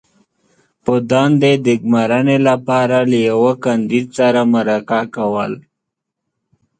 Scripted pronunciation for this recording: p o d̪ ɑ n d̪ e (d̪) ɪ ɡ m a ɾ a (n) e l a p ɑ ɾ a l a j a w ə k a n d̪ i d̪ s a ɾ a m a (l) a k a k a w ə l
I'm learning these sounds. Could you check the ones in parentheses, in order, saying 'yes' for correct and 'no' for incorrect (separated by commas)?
yes, yes, no